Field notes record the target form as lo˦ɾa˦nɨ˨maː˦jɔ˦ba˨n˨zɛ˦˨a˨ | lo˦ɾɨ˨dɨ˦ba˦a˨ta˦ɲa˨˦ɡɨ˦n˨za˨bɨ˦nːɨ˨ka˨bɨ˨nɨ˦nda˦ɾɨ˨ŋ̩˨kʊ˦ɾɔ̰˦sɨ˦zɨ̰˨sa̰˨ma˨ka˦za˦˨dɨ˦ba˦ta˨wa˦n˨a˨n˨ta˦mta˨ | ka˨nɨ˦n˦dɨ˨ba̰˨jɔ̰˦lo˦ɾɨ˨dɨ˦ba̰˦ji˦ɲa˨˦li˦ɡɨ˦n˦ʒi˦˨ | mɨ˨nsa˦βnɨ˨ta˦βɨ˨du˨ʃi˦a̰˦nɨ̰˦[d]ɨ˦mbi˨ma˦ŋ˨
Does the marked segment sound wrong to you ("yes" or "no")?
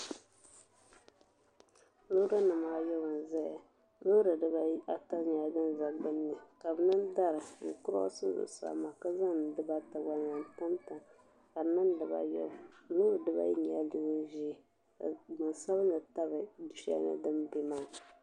no